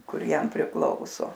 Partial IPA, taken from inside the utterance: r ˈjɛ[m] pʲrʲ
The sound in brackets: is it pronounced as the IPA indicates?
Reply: yes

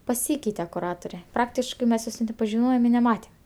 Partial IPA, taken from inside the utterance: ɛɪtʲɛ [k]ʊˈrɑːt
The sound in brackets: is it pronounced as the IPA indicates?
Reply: yes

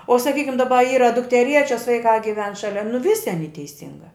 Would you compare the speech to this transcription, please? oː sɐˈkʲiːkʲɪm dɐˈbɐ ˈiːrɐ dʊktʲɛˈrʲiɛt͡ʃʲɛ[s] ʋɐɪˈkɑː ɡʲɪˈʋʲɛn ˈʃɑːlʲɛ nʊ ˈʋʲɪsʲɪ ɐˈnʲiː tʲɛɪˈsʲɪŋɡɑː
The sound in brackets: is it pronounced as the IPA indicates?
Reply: yes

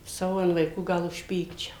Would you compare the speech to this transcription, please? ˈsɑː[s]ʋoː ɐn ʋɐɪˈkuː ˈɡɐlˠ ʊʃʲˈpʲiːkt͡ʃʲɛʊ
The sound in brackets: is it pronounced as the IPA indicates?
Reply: no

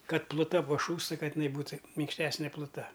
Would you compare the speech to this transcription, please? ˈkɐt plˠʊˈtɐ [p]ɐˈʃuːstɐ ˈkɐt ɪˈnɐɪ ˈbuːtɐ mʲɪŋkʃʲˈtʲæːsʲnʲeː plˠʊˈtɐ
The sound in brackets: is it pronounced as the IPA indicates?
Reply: yes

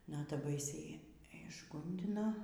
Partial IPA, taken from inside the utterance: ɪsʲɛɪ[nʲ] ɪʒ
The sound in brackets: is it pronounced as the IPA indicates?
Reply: no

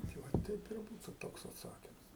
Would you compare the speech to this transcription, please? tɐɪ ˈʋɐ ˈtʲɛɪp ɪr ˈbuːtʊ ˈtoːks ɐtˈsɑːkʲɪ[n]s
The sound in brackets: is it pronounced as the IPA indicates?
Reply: no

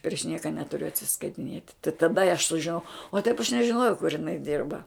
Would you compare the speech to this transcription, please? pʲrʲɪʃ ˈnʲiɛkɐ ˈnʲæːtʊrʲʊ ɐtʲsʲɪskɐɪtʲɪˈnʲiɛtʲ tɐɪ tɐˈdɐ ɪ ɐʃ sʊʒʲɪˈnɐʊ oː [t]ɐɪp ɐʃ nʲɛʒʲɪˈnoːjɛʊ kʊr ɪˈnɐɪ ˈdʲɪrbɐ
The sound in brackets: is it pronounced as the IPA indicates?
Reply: yes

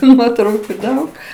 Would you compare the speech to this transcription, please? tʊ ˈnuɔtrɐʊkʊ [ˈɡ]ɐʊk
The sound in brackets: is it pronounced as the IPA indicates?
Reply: no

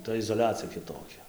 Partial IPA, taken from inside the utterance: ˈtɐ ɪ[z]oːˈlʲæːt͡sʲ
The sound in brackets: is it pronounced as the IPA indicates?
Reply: yes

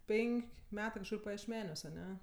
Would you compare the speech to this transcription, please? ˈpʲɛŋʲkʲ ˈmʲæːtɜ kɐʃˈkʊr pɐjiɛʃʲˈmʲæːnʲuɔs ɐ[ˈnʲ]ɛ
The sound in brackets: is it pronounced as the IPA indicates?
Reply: yes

